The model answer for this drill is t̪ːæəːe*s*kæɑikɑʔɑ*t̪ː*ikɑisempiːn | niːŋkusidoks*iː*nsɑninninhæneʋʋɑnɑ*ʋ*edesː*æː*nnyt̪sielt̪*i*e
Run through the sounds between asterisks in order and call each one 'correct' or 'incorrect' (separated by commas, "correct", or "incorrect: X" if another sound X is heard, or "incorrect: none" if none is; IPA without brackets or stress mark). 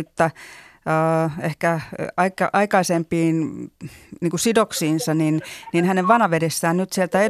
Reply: incorrect: h, incorrect: none, correct, correct, correct, incorrect: æ